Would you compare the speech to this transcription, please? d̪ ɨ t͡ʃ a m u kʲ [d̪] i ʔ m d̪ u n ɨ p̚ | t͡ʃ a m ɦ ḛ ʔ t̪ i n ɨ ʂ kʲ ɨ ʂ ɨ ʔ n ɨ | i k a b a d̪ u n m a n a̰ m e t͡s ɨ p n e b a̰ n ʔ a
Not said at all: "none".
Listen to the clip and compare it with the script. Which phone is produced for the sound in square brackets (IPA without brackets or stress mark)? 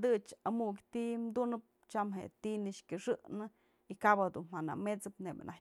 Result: t̪